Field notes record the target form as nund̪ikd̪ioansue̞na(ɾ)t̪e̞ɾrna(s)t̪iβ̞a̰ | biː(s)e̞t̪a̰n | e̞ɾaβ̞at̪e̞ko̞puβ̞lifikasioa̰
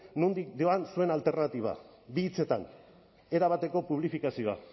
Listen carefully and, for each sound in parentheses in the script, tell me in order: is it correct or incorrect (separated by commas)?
incorrect, incorrect, incorrect